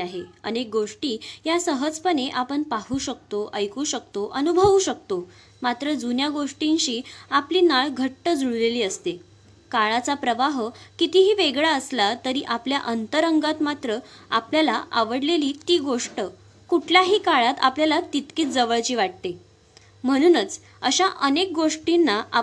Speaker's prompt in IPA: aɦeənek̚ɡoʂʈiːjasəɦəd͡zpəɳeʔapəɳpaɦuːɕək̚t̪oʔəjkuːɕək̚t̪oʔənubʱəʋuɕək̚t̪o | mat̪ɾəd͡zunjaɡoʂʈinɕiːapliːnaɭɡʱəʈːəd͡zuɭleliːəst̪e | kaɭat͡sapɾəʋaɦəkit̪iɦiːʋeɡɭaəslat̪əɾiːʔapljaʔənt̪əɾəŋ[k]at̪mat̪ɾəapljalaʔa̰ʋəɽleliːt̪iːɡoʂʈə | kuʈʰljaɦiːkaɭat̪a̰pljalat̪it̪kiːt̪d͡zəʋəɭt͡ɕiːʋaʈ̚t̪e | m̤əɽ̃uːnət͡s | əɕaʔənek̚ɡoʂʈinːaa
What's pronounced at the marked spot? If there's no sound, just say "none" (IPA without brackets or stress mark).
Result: ɡ